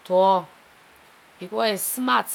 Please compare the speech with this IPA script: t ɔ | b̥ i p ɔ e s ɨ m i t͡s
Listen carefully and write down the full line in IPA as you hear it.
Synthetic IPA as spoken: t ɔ | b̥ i k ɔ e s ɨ m a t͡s